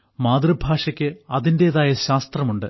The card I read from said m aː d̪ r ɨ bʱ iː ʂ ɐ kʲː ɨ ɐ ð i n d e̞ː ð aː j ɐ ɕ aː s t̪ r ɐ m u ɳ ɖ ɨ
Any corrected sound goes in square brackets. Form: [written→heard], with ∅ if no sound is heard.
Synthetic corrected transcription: m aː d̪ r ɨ bʱ [iː→aː] ʂ ɐ kʲː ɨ ɐ ð i n d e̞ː ð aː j ɐ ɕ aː s t̪ r ɐ m u ɳ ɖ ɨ

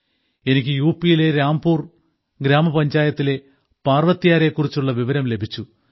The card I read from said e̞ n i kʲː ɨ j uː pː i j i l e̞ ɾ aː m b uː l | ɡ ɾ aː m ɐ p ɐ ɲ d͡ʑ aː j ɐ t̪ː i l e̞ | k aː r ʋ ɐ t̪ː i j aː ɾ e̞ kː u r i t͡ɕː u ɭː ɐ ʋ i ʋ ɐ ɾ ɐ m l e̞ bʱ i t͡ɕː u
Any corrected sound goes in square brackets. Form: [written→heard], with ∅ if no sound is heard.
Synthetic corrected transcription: e̞ n i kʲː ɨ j uː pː i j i l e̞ ɾ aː m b uː [l→r] | ɡ ɾ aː m ɐ p ɐ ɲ d͡ʑ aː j ɐ t̪ː i l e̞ | [k→p] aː r ʋ ɐ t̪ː i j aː ɾ e̞ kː u r i t͡ɕː u ɭː ɐ ʋ i ʋ ɐ ɾ ɐ m l e̞ bʱ i t͡ɕː u

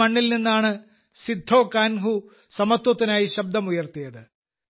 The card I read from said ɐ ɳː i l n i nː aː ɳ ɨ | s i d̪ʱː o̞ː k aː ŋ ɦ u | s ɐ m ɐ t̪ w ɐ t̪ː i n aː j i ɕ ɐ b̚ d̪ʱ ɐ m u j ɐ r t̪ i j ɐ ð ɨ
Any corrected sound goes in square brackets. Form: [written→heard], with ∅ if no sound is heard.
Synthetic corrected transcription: ɐ ɳː i l n i nː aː ɳ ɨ | s i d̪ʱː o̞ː k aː [ŋ→n] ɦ u | s ɐ m ɐ t̪ w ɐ t̪ː i n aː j i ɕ ɐ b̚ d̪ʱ ɐ m u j ɐ r t̪ i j ɐ ð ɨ

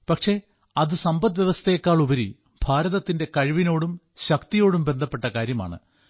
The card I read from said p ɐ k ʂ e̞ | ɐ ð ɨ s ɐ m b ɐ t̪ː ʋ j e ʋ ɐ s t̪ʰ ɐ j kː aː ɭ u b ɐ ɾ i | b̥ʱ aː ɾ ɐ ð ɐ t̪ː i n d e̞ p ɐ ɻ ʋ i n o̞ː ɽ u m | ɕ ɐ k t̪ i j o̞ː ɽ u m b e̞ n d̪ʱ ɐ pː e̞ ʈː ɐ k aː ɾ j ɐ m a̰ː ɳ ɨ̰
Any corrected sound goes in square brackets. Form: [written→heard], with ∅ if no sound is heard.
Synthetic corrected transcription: p ɐ k ʂ e̞ | ɐ ð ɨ s ɐ m b ɐ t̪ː ʋ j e ʋ ɐ s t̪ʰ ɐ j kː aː ɭ u b ɐ ɾ i | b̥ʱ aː ɾ ɐ ð ɐ t̪ː i n d e̞ [p→k] ɐ ɻ ʋ i n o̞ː ɽ u m | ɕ ɐ k t̪ i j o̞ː ɽ u m b e̞ n d̪ʱ ɐ pː e̞ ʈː ɐ k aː ɾ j ɐ m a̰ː ɳ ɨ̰

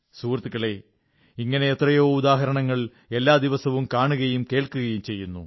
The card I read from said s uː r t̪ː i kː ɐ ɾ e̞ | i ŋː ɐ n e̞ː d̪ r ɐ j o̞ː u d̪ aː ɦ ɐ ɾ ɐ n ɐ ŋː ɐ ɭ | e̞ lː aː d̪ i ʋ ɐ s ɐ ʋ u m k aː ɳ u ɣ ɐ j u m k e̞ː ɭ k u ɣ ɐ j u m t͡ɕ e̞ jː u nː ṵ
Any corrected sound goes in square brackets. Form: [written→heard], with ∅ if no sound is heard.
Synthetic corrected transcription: s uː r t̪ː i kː ɐ [ɾ→ɭ] e̞ | i ŋː ɐ n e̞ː [d̪→t̪] r ɐ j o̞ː u d̪ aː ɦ ɐ ɾ ɐ [n→ɳ] ɐ ŋː ɐ ɭ | e̞ lː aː d̪ i ʋ ɐ s ɐ ʋ u m k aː ɳ u ɣ ɐ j u m k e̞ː ɭ k u ɣ ɐ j u m t͡ɕ e̞ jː u nː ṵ

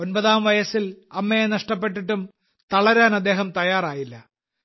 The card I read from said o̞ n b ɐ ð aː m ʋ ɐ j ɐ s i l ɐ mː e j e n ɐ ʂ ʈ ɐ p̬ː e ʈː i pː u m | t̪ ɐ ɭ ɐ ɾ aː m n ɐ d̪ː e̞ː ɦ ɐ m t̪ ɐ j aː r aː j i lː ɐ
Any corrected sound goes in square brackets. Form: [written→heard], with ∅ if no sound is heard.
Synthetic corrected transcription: o̞ n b ɐ ð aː m ʋ ɐ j ɐ s i l ɐ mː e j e n ɐ ʂ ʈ ɐ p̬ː e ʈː i [pː→ʈː] u m | t̪ ɐ ɭ ɐ ɾ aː [m→∅] n ɐ d̪ː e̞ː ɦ ɐ m t̪ ɐ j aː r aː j i lː ɐ

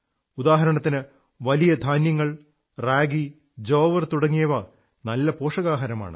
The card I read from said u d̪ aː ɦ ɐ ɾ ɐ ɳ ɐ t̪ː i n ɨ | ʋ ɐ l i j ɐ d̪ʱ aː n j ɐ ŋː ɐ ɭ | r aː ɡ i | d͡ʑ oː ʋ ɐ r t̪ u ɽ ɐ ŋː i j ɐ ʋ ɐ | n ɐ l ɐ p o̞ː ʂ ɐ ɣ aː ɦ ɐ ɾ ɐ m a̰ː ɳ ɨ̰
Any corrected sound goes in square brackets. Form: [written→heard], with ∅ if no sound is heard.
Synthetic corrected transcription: u d̪ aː ɦ ɐ ɾ ɐ ɳ ɐ t̪ː i n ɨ | ʋ ɐ l i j ɐ d̪ʱ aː n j ɐ ŋː ɐ ɭ | r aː ɡ i | d͡ʑ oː ʋ ɐ r t̪ u ɽ ɐ ŋː i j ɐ ʋ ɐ | n ɐ [l→lː] ɐ p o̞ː ʂ ɐ ɣ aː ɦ ɐ ɾ ɐ m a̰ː ɳ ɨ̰

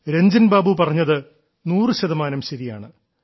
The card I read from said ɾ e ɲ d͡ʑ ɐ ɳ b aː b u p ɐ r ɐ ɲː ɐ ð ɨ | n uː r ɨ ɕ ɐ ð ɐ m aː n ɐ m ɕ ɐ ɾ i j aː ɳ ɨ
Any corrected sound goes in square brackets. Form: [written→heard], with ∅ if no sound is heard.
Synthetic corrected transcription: ɾ e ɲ d͡ʑ ɐ [ɳ→n] b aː b u p ɐ r ɐ ɲː ɐ ð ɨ | n uː r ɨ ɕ ɐ ð ɐ m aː n ɐ m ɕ ɐ ɾ i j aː ɳ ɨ

